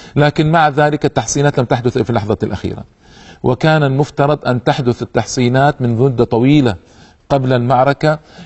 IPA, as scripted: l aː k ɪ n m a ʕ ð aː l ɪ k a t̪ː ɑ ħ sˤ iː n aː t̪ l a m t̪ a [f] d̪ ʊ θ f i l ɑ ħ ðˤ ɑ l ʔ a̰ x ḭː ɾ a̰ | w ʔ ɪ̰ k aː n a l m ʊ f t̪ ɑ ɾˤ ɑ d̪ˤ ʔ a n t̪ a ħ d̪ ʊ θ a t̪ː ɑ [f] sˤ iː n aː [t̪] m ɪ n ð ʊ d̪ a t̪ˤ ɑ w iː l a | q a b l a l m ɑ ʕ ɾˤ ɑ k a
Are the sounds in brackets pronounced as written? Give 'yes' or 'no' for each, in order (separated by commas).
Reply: no, no, yes